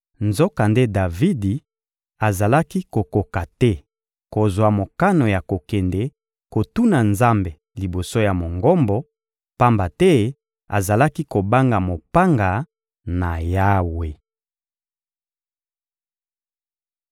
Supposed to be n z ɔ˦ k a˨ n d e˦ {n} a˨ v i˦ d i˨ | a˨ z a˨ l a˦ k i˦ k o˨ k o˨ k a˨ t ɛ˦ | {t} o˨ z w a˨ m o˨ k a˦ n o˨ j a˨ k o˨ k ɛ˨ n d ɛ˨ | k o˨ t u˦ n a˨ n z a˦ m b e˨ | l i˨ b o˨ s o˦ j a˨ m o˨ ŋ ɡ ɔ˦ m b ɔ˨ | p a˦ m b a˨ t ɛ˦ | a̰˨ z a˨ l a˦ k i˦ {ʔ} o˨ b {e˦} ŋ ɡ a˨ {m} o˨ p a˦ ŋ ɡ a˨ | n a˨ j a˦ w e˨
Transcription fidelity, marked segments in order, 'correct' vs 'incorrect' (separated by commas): incorrect, incorrect, incorrect, incorrect, correct